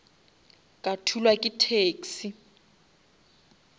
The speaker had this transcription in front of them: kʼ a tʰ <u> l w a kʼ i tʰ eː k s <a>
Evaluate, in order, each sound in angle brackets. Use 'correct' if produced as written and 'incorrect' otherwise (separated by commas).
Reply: correct, incorrect